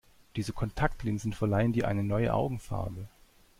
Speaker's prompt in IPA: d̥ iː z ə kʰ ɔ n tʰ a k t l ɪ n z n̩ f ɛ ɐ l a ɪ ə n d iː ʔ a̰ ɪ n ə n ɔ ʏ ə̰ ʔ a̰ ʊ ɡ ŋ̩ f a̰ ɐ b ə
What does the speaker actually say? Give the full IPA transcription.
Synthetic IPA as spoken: d̥ iː z ə kʰ ɔ n tʰ a k t l ɪ n z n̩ f ɛ ɐ l a ɪ ə n d iː ʔ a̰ ɪ n ə n ɔ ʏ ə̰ ʔ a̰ ʊ ɡ ŋ̩ f a̰ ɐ b ə